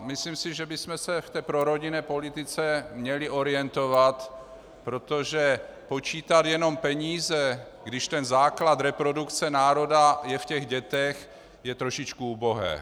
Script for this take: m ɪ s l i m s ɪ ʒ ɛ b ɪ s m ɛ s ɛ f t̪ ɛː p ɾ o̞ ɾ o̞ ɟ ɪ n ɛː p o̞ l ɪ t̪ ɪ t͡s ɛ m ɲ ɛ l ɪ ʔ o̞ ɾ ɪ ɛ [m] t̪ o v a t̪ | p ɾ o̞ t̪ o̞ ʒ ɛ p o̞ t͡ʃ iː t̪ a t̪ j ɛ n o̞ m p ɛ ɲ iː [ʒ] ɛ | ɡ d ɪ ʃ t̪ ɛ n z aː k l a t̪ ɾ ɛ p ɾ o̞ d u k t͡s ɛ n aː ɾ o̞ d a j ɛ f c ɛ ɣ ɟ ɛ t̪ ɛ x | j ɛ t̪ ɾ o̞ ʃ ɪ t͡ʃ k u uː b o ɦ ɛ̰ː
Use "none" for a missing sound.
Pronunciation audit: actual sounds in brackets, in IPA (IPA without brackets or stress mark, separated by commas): n, z